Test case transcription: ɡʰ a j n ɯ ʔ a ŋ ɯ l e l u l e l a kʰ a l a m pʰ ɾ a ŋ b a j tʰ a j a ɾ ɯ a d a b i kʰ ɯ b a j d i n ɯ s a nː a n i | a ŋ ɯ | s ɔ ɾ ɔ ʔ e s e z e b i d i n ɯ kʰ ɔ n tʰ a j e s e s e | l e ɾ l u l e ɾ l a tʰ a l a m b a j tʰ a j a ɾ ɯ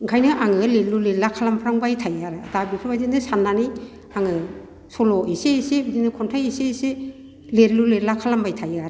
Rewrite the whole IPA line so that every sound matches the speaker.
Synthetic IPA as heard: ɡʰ a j n ɯ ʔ a ŋ ɯ l e l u l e l a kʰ a l a m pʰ ɾ a ŋ b a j tʰ a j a ɾ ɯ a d a b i pʰ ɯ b a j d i n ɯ s a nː a n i | a ŋ ɯ | s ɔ l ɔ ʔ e s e s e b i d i n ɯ kʰ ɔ n tʰ a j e s e s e | l e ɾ l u l e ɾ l a kʰ a l a m b a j tʰ a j a ɾ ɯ